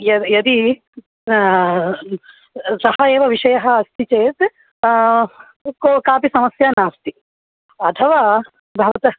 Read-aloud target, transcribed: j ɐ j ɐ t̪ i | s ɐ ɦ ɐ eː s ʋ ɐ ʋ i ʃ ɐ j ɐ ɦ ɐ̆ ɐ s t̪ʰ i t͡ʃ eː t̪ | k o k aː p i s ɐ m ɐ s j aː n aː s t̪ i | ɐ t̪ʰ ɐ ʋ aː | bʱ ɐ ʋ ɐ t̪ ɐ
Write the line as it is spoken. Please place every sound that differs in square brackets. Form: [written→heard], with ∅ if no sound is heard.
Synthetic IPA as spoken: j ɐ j ɐ [t̪→d̪] i | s ɐ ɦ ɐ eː [s→∅] ʋ ɐ ʋ i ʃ ɐ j ɐ ɦ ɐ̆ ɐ s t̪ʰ i t͡ʃ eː t̪ | k o k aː p i s ɐ m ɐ s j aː n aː s t̪ i | ɐ t̪ʰ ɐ ʋ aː | bʱ ɐ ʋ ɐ t̪ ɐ